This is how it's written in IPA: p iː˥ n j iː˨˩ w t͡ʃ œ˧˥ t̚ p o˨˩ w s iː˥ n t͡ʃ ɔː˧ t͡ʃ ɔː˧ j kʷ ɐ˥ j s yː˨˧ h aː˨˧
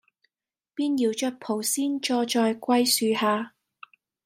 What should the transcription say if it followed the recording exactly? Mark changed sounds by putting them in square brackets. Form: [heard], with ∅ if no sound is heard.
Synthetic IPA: p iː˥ n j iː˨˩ w t͡ʃ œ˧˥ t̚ [pʰ] o˨˩ w s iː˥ n t͡ʃ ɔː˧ t͡ʃ ɔː˧ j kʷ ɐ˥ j s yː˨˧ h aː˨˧